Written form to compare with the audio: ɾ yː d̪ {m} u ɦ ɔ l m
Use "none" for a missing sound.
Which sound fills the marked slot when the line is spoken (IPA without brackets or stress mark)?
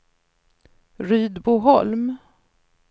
b